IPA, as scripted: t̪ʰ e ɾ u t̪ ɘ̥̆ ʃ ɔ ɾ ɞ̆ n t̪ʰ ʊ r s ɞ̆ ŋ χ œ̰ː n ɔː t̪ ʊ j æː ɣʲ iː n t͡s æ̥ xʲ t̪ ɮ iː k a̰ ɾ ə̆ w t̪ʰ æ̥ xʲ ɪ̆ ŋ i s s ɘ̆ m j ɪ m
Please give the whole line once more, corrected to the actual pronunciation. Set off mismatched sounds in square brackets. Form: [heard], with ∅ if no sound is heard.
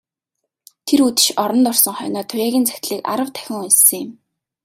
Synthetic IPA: t̪ʰ e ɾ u t̪ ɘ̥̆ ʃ ɔ ɾ ɞ̆ n [t̪] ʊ r s ɞ̆ ŋ χ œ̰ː n ɔː [t̪ʰ] ʊ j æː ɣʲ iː n t͡s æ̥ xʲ t̪ ɮ iː k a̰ ɾ ə̆ w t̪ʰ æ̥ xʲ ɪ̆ ŋ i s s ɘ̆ [ŋ] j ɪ m